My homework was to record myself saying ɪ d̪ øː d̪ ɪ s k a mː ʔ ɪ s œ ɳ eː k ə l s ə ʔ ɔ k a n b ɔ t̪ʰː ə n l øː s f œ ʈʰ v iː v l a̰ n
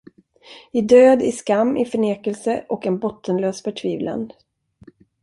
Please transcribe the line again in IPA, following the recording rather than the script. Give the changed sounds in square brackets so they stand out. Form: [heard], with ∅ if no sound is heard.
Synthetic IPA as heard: ɪ d̪ øː d̪ ɪ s k a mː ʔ ɪ [f] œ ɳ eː k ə l s ə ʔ ɔ k [ɛ] n b ɔ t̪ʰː ə n l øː s f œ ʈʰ v iː v l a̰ n